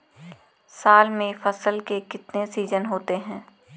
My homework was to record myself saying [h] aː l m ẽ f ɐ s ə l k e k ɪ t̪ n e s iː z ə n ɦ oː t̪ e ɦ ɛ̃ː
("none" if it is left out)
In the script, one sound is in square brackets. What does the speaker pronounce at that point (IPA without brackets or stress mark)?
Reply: s